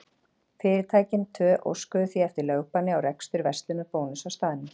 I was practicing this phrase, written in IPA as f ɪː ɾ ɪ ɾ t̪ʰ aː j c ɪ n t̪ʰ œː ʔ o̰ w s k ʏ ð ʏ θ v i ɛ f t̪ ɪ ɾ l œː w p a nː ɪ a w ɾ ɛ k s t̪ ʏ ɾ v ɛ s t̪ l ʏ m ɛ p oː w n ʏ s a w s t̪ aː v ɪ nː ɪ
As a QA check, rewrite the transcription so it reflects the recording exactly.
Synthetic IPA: f ɪː ɾ ɪ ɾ t̪ʰ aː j c ɪ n t̪ʰ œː ʔ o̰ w s k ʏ ð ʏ θ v i ɛ f t̪ ɪ ɾ l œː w p a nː ɪ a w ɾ ɛ k s t̪ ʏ ɾ v ɛ s t̪ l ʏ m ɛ p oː w n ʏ s a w s t̪ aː ð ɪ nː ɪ